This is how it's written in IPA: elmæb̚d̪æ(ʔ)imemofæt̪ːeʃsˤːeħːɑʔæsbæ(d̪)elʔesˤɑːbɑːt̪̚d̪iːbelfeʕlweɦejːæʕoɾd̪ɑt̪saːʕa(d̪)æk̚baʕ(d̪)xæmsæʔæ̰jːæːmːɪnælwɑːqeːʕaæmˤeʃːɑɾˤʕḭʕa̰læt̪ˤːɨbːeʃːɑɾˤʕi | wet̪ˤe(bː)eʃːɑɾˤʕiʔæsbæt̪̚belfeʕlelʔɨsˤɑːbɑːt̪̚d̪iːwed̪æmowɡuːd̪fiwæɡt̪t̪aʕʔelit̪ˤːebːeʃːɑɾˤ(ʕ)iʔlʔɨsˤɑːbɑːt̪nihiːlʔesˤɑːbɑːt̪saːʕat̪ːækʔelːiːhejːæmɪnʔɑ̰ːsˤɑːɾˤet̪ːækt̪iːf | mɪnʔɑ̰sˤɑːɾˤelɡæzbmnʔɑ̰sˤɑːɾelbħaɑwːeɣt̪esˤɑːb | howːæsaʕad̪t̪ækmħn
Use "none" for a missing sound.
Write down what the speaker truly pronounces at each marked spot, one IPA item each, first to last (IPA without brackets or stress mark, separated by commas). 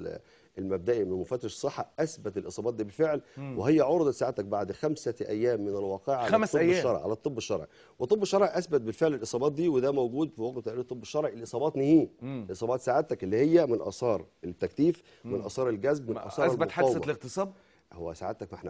ʔ, t̪, t̪, d̪, bː, ʕ